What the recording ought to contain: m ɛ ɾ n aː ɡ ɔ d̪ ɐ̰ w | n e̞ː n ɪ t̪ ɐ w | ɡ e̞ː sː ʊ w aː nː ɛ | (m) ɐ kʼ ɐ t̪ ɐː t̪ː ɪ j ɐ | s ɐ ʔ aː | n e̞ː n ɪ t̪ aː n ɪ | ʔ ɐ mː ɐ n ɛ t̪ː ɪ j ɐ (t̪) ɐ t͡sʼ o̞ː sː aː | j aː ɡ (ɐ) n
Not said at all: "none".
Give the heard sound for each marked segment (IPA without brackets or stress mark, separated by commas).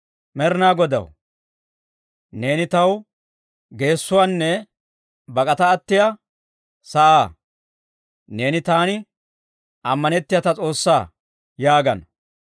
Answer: b, t̪, ɐ